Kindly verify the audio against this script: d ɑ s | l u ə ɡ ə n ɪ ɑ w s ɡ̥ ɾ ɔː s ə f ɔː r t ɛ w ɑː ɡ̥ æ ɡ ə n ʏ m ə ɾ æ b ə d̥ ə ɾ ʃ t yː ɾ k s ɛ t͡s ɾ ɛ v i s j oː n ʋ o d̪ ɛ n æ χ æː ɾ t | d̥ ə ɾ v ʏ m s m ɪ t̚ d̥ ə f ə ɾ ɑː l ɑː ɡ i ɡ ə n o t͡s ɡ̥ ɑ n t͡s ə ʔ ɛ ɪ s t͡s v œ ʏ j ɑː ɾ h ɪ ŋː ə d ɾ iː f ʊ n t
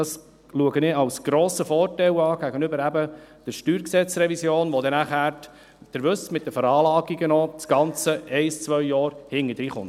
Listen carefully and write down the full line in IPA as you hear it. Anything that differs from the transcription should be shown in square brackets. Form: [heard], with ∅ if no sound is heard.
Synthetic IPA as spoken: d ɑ s | l u ə ɡ ə n ɪ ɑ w s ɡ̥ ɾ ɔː s ə f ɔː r t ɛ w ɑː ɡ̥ æ ɡ ə n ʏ [b] ə ɾ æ b ə d̥ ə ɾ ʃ t yː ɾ k s ɛ t͡s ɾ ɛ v i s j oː n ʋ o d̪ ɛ n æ χ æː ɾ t | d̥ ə ɾ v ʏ [∅] s m ɪ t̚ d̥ ə f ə ɾ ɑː l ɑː ɡ i ɡ ə n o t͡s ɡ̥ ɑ n t͡s ə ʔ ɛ ɪ s t͡s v œ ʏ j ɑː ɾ h ɪ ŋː ə d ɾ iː [χ] ʊ n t